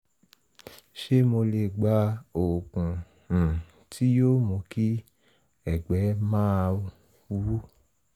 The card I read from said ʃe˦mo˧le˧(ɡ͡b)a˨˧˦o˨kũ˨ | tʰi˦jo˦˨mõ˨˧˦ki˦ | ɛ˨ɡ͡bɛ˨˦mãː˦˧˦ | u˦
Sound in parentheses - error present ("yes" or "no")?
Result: no